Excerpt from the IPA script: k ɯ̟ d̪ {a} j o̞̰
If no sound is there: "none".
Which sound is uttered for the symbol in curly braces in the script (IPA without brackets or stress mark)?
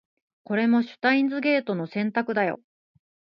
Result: a